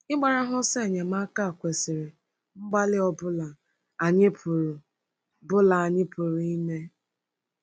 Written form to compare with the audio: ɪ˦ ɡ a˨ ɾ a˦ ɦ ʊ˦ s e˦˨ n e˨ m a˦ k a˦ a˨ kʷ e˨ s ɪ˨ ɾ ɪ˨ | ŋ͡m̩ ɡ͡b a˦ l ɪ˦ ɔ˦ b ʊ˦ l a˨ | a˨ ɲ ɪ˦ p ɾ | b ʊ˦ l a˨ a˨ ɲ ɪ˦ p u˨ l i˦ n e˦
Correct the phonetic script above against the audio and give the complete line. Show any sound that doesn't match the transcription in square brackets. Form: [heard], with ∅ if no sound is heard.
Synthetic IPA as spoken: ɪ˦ [ɡ͡b] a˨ ɾ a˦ ɦ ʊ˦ s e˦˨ [ɲ] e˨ m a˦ k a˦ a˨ kʷ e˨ s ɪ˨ ɾ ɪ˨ | ŋ͡m̩ ɡ͡b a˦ l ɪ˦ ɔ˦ b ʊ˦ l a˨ | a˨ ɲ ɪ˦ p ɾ | b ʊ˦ l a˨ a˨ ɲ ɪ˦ p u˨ [ɾ] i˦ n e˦